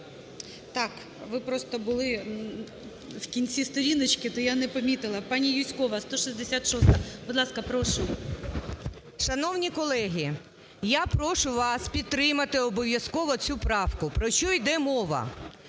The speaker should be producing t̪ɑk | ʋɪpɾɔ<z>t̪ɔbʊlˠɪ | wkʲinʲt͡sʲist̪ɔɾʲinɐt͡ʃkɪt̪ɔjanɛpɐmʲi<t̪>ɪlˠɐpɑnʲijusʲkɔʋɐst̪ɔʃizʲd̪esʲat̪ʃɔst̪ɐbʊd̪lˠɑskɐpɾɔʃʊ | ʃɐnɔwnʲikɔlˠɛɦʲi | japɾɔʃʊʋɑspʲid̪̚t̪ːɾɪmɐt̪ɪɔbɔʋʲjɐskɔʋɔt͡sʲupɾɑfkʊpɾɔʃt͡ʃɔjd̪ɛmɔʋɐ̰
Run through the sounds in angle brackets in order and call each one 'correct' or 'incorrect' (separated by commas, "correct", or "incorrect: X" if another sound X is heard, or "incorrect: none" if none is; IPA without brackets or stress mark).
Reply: incorrect: s, correct